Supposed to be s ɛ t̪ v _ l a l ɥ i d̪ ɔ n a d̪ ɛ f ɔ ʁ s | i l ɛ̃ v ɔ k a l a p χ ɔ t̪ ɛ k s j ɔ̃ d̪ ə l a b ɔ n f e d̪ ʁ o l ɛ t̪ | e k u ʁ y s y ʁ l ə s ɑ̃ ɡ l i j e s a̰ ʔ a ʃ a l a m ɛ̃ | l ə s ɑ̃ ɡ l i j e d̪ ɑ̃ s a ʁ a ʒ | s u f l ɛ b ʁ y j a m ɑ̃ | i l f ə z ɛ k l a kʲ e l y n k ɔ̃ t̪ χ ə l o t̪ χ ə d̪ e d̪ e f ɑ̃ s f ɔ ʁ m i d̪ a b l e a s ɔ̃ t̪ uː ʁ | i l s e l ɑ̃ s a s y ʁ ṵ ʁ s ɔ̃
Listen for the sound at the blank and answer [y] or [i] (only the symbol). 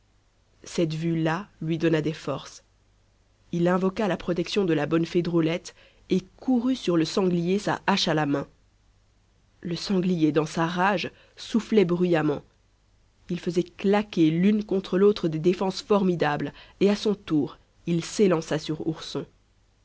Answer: y